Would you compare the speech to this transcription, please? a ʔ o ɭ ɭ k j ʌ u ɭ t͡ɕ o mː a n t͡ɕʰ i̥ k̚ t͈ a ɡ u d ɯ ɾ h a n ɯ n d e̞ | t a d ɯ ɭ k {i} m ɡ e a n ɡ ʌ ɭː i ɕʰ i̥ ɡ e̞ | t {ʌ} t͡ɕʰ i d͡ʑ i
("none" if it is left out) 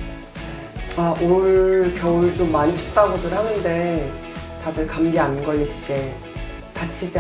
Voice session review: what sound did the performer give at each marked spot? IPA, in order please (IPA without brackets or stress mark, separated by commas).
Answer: a, a